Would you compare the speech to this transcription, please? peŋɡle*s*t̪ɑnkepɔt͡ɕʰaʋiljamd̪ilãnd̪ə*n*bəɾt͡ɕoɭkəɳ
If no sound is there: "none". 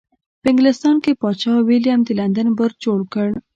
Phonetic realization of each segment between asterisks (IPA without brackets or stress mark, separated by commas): s, n